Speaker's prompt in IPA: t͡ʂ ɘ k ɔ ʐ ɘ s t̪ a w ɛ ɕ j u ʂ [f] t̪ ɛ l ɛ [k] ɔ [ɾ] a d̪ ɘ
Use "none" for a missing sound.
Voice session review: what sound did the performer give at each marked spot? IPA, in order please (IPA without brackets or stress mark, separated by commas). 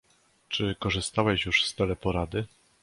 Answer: s, p, ɾ